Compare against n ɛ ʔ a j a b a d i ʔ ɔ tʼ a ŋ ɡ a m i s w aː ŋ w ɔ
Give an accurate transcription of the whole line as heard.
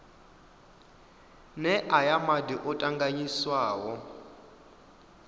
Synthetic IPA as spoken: n ɛ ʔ a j a m a d i ʔ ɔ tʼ a ŋ ɡ a ɲ i s w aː w ɔ

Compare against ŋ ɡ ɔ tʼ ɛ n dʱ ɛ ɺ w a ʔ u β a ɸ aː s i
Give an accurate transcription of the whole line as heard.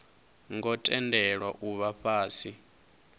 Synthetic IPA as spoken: ŋ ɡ ɔ tʼ ɛ n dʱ ɛ ɺ w a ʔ u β a ɸ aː s i

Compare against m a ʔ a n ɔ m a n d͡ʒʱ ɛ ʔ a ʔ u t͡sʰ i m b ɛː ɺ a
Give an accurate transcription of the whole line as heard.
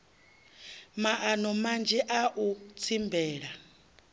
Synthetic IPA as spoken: m a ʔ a n ɔ m a n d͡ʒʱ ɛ ʔ a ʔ u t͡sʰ i m b ɛː ɺ a

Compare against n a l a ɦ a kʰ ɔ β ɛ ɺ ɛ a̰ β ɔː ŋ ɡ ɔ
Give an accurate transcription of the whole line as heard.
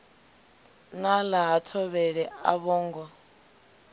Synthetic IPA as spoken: n a l a ɦ a tʰ ɔ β ɛ ɺ ɛ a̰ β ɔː ŋ ɡ ɔ

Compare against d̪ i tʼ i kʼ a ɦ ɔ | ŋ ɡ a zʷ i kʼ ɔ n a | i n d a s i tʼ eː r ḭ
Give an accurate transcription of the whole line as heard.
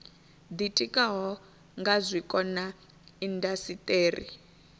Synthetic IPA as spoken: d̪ i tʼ i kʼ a ɦ ɔ | ŋ ɡ a zʷ i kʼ ɔ n a | i n d a s i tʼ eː r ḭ

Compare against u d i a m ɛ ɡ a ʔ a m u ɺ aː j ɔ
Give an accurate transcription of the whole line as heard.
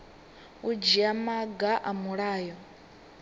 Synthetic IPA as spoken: u d͡ʒ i a m a ɡ a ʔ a m u ɺ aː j ɔ

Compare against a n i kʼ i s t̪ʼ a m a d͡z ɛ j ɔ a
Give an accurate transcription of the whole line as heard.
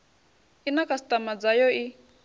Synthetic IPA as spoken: i n a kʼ a s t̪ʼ a m a d͡z a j ɔ i

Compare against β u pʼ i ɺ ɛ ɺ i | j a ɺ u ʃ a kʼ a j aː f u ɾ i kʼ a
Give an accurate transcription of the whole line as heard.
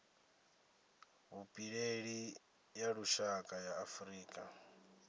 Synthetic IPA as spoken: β u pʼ i ɺ e ɺ i | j a ɺ u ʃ a kʼ a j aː f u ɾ iː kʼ a

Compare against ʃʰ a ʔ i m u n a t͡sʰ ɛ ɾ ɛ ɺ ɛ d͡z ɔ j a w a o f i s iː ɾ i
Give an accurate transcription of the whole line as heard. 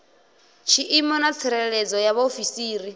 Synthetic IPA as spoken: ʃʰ i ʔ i m ɔ n a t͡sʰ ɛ ɾ ɛ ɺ ɛ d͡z ɔ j a β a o f i s iː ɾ i

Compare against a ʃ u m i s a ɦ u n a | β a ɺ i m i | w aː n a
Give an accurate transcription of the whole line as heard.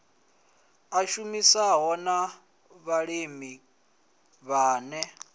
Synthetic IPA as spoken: a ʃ u m i s a ɦ ɔ n a | β a ɺ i m i | β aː n ɛ

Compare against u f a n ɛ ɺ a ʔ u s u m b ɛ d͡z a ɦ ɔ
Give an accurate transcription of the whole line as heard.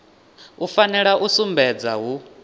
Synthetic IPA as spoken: u f a n ɛ ɺ a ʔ u s u m b ɛ d͡z a ɦ u

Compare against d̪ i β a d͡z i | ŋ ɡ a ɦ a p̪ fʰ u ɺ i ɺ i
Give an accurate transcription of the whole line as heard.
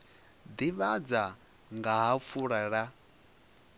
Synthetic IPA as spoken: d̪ i β a d͡z a | ŋ ɡ a ɦ a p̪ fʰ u ɺ a ɺ a

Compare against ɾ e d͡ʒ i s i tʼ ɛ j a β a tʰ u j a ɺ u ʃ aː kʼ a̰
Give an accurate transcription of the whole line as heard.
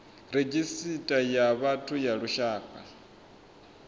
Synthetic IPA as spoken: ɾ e d͡ʒ i s i tʼ a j a β a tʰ u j a ɺ u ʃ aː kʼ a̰

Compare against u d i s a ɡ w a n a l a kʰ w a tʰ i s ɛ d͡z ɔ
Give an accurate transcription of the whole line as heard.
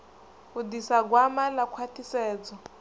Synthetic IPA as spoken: u d i s a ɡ w a m a l a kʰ w a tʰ i s ɛː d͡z ɔ

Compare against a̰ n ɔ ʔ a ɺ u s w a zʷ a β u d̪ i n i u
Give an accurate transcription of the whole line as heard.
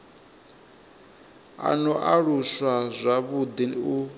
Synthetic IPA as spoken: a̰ n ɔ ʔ a ɺ u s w a zʷ a β u d̪ i n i u

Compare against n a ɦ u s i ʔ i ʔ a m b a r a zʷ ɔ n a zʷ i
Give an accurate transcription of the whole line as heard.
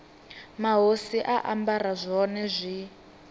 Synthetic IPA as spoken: m a ɦ o s i ʔ a ʔ a m b a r a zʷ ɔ n ɛ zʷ i

